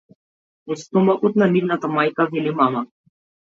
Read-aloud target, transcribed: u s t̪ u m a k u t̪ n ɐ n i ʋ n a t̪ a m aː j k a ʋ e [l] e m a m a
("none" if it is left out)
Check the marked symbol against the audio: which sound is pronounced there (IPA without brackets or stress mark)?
l